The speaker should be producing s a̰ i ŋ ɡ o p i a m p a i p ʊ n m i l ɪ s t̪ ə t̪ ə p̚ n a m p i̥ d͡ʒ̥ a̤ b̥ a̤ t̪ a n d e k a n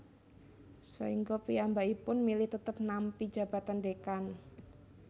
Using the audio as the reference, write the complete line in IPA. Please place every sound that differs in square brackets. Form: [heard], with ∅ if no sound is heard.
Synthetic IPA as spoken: s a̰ i ŋ ɡ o p i a m [b] a i p ʊ n m i l ɪ [h] t̪ ə t̪ ə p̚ n a m p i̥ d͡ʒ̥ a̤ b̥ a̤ t̪ a n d e k a n